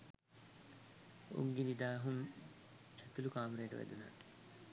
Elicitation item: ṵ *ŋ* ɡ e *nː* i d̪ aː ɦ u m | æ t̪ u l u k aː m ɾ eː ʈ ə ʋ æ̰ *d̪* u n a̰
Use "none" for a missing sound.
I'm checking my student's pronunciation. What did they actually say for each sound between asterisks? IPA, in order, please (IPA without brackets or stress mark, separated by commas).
ŋ, n, d̪